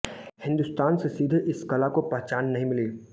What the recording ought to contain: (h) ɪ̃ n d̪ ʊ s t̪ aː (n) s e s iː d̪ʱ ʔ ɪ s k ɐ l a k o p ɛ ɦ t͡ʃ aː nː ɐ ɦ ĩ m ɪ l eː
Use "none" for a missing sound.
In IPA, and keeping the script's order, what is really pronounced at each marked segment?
h, n

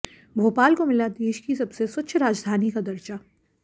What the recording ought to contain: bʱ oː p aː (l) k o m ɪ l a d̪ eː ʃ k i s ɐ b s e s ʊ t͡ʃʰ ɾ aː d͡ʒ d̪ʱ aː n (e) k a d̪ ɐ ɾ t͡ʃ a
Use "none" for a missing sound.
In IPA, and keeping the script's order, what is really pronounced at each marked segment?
l, i

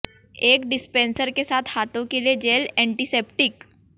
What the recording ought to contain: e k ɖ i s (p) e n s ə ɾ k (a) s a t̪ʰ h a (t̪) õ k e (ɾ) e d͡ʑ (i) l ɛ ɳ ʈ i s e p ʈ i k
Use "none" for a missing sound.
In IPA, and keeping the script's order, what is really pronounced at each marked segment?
p, e, t̪, l, e

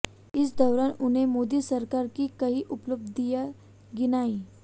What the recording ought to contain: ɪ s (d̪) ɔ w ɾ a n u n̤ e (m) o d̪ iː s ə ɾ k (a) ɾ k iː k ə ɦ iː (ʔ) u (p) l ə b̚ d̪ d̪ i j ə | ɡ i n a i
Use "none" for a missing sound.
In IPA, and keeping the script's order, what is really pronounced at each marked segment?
d̪, m, a, ʔ, p

